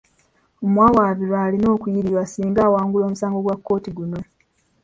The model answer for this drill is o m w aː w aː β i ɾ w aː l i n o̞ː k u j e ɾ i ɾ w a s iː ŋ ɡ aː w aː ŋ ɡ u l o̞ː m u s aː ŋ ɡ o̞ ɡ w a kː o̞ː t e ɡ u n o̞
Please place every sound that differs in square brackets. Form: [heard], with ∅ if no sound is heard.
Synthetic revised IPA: o m w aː w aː β i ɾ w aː l i n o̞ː k u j [i] ɾ i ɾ w a s iː ŋ ɡ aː w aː ŋ ɡ u l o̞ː m u s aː ŋ ɡ o̞ ɡ w a kː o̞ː t [i] ɡ u n o̞